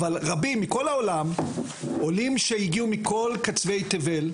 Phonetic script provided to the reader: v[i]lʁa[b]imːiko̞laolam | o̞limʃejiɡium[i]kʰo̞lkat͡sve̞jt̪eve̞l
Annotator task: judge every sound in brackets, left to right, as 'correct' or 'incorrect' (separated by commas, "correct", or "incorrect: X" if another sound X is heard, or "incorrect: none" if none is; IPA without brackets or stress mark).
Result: incorrect: a, correct, correct